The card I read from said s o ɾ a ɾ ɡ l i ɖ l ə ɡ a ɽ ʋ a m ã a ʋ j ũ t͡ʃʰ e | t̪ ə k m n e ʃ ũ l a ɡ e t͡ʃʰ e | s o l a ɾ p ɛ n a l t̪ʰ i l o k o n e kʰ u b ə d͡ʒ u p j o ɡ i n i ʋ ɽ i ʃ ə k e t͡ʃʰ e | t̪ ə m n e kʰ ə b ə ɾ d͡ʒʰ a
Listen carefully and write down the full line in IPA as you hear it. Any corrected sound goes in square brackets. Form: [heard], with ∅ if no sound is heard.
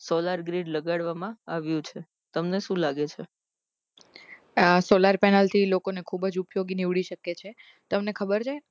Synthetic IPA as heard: s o [l] a ɾ ɡ [ɾ] i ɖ l ə ɡ a ɽ ʋ a m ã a ʋ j ũ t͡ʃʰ e | t̪ ə [∅] m n e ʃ ũ l a ɡ e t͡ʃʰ e | s o l a ɾ p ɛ n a l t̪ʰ i l o k o n e kʰ u b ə d͡ʒ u p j o ɡ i n i ʋ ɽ i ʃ ə k e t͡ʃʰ e | t̪ ə m n e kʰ ə b ə ɾ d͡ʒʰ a

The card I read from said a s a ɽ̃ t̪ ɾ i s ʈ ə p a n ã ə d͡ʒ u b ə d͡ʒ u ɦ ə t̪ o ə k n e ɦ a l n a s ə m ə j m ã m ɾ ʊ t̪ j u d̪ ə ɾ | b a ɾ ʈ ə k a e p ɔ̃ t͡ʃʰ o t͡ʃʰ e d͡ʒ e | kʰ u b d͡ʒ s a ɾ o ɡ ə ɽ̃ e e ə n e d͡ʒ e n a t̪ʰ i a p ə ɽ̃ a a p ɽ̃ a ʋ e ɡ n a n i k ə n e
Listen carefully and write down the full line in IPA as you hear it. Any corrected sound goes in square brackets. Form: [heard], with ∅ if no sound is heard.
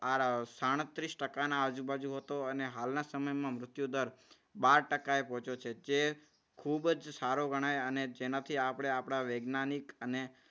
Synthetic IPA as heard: a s a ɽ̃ t̪ ɾ i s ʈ ə [k] a n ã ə d͡ʒ u b [a] d͡ʒ u ɦ ə t̪ o ə [∅] n e ɦ a l n a s ə m ə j m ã m ɾ ʊ t̪ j u d̪ ə ɾ | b a ɾ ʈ ə k a e p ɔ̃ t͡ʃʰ o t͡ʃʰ e d͡ʒ e | kʰ u b d͡ʒ s a ɾ o ɡ ə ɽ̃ [a] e ə n e d͡ʒ e n a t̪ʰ i a p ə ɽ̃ [e] a p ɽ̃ a ʋ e ɡ n a n i k ə n e

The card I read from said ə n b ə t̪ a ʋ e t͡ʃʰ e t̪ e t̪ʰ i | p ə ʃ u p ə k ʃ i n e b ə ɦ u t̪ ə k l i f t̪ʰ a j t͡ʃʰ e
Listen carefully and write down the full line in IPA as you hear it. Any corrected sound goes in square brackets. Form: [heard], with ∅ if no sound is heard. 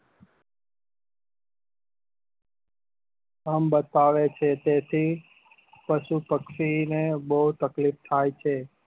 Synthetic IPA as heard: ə [m] b ə t̪ a ʋ e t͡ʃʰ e t̪ e t̪ʰ i | p ə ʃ u p ə k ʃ i n e b ə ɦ u t̪ ə k l i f t̪ʰ a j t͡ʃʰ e

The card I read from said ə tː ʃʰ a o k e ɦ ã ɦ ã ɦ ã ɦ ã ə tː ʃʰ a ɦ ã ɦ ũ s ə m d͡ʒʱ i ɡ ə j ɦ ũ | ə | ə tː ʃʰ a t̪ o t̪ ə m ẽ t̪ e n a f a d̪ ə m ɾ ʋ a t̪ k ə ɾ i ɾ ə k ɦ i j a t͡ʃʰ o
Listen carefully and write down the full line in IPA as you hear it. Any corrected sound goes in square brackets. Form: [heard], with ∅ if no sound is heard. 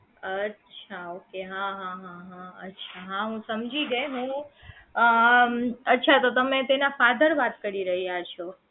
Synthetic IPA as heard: ə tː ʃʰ a o k e ɦ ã ɦ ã ɦ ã ɦ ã ə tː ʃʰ a ɦ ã ɦ ũ s ə m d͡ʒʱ i ɡ ə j ɦ ũ | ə | ə tː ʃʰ a t̪ o t̪ ə m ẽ t̪ e n a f a d̪ ə [∅] ɾ ʋ a t̪ k ə ɾ i ɾ ə [∅] ɦ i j a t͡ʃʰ o

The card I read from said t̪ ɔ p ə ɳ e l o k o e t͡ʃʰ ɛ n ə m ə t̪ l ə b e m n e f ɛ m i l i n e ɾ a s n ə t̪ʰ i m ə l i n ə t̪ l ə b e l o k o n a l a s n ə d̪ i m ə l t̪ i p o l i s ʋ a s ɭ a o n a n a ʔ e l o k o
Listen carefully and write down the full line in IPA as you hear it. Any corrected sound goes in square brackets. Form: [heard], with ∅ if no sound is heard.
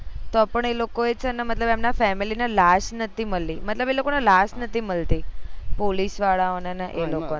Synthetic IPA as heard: t̪ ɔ p ə ɳ e l o k o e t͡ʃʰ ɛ n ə m ə t̪ l ə b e m n [a] f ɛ m i l i n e [l] a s n ə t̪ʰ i m ə l i [m] ə t̪ l ə b e l o k o n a l a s n ə [t̪] i m ə l t̪ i p o l i s ʋ a [∅] ɭ a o n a n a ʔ e l o k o

